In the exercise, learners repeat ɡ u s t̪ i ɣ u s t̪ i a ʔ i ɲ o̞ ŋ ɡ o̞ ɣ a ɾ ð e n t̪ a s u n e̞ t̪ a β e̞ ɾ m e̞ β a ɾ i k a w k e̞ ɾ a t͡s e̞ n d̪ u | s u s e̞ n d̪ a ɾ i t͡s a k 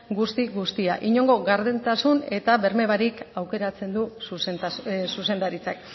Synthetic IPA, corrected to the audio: ɡ u s t̪ i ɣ u s t̪ i a ʔ i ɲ o̞ ŋ ɡ o̞ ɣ a ɾ ð e n t̪ a s u n e̞ t̪ a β e̞ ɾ m e̞ β a ɾ i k a w k e̞ ɾ a t͡s e̞ n d̪ u | s u s e̞ n d̪ a ɾ i t͡s a k